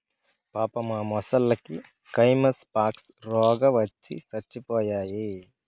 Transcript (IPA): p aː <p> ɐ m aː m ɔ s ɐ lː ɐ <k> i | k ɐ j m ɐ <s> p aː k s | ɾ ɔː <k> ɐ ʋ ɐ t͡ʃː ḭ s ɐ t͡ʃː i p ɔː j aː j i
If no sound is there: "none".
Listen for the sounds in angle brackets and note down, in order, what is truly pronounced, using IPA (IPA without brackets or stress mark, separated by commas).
p, k, s, ɡ